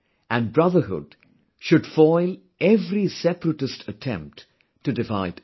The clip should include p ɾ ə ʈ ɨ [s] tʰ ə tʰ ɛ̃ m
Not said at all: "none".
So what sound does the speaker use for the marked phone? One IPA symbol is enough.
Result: s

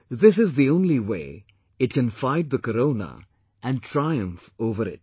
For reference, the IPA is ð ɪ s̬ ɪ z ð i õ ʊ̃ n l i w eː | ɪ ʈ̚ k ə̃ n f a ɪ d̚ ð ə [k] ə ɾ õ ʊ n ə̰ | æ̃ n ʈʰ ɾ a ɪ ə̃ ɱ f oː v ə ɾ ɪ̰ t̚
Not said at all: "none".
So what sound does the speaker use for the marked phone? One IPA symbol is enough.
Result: k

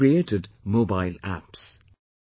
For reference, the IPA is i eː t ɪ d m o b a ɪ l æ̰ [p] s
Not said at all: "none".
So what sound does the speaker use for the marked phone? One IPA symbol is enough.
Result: p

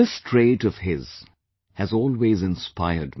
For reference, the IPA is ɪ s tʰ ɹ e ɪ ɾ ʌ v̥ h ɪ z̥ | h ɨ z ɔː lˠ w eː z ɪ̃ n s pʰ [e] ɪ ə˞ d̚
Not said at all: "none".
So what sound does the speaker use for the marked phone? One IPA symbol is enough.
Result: a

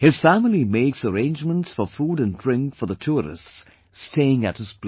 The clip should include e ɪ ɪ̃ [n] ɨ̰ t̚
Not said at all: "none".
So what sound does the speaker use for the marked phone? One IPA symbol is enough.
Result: ŋ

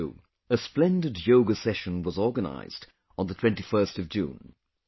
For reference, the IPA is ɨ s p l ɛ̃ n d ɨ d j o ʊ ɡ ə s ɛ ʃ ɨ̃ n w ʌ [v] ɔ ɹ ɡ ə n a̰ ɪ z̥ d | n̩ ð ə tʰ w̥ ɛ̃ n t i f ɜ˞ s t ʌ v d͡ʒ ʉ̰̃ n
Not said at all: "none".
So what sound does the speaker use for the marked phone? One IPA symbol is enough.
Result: z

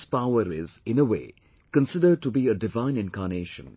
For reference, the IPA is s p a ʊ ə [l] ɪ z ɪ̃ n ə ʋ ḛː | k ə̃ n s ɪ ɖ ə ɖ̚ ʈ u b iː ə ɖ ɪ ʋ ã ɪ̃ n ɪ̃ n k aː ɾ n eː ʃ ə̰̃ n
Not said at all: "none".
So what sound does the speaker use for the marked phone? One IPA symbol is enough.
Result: ɾ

